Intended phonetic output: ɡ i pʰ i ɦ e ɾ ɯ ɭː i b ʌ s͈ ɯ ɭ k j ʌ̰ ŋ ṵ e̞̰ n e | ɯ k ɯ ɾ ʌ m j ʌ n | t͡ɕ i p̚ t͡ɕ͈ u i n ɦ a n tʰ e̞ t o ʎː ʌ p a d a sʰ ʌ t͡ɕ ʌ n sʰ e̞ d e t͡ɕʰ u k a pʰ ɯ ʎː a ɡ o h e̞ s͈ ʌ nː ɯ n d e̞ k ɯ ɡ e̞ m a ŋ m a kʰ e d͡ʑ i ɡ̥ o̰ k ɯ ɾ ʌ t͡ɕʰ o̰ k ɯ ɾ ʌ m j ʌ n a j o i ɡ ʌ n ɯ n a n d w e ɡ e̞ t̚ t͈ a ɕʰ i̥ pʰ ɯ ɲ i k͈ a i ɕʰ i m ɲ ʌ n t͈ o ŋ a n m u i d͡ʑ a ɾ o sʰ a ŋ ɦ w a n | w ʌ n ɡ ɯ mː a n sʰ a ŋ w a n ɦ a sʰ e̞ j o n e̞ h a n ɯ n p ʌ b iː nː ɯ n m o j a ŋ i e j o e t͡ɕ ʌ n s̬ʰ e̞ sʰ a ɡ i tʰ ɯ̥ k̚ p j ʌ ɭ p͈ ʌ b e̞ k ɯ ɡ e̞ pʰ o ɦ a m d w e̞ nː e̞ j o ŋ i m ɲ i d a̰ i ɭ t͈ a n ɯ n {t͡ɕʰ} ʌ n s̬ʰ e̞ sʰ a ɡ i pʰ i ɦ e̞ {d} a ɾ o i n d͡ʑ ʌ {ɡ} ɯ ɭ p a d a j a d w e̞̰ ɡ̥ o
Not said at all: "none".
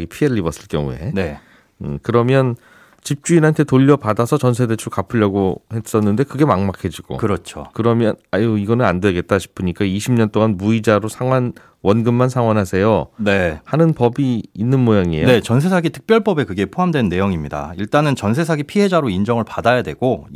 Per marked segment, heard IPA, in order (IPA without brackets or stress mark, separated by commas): t͡ɕ, d͡ʑ, ŋ